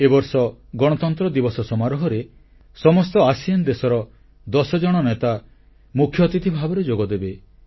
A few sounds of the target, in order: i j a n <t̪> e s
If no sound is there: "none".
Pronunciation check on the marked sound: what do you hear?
d̪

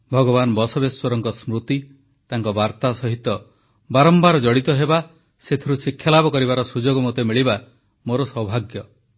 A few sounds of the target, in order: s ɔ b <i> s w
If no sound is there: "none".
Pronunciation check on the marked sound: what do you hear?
e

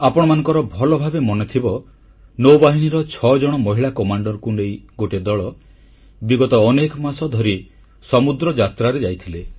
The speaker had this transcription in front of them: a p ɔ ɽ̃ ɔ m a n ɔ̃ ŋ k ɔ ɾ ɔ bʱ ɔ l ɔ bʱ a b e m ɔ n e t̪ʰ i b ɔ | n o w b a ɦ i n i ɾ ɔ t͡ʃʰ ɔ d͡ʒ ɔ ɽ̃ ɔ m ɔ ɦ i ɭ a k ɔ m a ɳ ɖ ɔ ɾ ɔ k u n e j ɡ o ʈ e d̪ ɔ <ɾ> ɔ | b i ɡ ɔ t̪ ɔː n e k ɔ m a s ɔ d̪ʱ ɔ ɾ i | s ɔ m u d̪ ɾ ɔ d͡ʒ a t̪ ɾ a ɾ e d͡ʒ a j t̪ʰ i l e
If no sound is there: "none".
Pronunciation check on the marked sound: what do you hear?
ɭ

